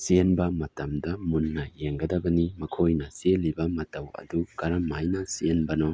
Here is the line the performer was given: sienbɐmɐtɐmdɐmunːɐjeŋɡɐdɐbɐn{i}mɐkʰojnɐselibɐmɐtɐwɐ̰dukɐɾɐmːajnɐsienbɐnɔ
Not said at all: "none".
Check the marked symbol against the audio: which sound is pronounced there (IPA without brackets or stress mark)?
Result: i